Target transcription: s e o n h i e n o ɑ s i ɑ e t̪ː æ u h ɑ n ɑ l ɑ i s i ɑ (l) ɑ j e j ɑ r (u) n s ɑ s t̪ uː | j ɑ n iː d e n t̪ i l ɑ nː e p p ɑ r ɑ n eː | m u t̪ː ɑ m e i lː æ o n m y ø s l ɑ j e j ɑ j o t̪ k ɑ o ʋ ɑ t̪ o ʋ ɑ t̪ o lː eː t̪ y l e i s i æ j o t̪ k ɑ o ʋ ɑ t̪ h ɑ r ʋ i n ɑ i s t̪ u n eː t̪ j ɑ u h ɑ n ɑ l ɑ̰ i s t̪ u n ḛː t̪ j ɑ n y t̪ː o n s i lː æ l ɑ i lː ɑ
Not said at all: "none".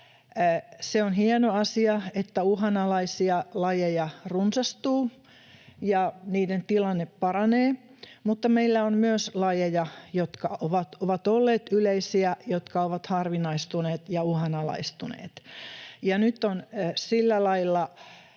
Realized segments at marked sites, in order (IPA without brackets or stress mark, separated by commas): l, u